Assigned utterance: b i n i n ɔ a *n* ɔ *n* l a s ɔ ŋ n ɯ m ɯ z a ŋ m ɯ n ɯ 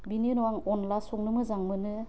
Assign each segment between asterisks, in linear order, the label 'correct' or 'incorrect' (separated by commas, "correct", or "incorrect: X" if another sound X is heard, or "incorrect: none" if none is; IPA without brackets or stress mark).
incorrect: ŋ, correct